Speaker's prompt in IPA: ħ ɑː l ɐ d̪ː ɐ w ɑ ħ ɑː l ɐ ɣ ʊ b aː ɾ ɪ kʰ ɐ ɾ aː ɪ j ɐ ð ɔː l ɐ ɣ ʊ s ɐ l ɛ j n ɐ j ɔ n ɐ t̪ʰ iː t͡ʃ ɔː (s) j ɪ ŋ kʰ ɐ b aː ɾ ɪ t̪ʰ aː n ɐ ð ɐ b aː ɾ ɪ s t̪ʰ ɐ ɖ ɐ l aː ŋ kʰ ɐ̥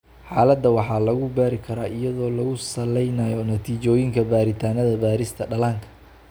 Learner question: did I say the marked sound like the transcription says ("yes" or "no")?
no